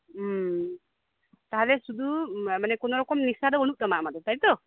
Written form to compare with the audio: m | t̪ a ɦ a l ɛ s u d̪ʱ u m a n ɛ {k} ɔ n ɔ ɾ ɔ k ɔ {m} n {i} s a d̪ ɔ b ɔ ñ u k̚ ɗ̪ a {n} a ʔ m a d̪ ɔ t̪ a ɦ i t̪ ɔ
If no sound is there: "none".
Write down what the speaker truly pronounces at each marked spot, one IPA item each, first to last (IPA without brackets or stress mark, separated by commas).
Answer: k, m, i, m